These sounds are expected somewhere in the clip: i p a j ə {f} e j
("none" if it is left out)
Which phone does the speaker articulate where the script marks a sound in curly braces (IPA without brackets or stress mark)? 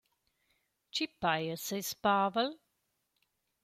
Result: s